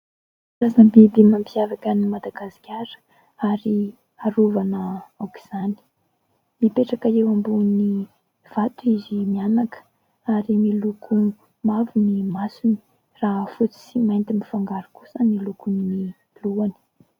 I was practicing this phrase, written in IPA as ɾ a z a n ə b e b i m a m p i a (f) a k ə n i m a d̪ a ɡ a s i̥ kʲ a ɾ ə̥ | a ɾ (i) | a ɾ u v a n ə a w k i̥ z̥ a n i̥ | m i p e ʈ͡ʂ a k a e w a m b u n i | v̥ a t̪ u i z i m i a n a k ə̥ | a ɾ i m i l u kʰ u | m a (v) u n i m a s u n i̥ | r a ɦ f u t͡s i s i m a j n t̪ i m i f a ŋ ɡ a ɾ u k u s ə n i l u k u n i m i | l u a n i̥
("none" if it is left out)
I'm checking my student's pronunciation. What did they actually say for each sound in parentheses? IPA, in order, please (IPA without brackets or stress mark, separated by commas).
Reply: v, i, v